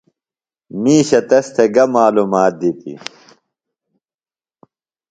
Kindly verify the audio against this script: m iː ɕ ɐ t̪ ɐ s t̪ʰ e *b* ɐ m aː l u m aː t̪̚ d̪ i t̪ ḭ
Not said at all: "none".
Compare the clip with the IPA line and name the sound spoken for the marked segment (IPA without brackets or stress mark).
ɡ